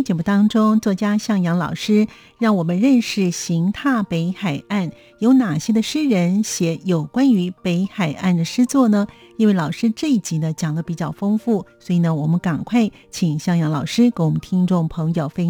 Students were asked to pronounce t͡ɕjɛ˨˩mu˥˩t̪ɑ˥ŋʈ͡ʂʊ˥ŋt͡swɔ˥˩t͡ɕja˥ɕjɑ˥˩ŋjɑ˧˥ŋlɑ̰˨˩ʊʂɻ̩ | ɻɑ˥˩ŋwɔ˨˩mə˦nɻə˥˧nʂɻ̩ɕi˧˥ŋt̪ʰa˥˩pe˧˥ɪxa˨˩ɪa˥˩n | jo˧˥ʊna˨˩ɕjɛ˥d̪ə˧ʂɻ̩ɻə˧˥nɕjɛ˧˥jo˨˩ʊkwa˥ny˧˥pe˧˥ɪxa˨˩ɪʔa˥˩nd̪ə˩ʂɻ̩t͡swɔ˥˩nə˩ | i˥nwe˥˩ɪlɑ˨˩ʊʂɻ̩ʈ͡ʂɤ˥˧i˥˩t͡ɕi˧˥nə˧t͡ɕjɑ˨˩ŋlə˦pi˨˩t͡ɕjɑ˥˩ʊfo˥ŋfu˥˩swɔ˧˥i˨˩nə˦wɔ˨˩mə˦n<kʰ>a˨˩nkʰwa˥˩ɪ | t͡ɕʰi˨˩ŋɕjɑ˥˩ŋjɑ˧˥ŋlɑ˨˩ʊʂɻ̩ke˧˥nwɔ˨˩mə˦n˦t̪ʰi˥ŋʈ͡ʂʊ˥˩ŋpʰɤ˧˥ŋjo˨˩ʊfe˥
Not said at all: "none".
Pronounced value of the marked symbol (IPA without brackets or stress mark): k